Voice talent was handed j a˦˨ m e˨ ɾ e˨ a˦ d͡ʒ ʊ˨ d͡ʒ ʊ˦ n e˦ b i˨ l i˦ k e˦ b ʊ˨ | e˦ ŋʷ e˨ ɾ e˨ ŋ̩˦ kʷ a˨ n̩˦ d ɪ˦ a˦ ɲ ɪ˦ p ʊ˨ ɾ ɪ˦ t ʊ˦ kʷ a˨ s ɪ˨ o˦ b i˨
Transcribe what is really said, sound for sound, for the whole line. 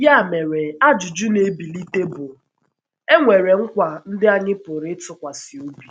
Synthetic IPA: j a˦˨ m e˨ ɾ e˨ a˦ d͡ʒ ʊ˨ d͡ʒ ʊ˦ n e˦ b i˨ l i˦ t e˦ b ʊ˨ | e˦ ŋʷ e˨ ɾ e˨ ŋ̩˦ kʷ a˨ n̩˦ d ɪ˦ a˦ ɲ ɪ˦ p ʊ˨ ɾ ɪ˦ t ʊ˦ kʷ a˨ s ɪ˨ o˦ b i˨